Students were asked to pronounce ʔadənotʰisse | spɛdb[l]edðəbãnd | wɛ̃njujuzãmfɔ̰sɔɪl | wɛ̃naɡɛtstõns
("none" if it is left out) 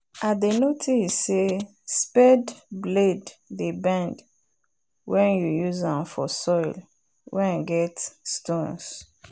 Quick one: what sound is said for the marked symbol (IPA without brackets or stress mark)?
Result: l